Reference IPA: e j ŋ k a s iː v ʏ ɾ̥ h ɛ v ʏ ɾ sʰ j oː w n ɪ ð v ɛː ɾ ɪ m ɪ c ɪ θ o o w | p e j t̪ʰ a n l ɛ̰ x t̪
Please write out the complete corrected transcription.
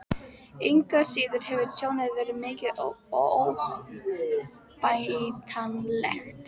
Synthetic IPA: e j ŋ k a s iː ð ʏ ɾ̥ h ɛ v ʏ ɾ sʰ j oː w n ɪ ð v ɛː ɾ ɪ m ɪː c ɪ ð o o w | p a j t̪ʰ a n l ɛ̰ x t̪